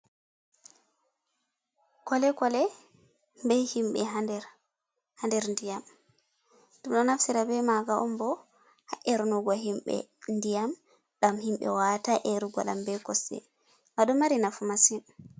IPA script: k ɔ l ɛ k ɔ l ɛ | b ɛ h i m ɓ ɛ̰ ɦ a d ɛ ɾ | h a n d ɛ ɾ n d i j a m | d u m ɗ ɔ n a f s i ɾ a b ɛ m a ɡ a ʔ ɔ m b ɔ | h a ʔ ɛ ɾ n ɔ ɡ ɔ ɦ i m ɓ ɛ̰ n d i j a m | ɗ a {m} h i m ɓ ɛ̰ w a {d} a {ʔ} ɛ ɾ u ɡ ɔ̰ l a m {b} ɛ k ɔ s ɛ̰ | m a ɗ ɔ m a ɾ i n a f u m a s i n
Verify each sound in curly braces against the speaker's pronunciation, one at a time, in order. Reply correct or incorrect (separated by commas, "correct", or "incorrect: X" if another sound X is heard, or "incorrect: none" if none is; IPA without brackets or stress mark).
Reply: correct, incorrect: t, correct, correct